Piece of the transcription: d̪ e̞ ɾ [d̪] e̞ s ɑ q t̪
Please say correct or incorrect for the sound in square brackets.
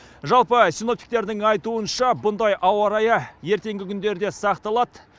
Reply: correct